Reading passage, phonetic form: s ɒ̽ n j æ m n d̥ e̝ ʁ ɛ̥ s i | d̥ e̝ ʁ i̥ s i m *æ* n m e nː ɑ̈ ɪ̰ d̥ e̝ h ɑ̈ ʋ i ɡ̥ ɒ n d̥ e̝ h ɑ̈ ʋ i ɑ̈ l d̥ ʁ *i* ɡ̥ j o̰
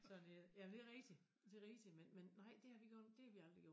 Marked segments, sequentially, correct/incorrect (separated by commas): incorrect, correct